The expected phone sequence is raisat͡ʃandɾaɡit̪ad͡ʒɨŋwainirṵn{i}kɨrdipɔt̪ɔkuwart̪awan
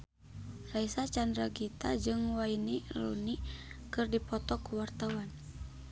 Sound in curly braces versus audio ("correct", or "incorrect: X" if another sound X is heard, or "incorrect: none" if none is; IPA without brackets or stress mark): correct